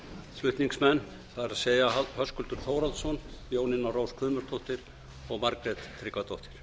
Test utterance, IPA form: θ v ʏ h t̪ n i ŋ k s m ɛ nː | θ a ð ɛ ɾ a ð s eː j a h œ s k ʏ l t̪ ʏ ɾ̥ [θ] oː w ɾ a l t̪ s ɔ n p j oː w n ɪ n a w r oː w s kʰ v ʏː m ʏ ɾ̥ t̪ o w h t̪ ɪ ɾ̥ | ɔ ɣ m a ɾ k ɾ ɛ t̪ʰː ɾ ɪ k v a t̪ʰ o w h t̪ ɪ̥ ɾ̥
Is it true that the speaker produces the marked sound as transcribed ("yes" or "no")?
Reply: yes